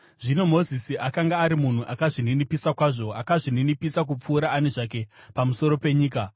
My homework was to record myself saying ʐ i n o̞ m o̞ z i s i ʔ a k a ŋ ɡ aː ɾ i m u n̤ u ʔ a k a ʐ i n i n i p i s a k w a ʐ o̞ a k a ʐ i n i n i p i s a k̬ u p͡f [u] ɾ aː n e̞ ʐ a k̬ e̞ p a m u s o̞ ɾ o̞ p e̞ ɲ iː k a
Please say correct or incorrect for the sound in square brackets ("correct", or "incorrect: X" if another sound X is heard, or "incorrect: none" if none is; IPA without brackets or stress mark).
incorrect: uː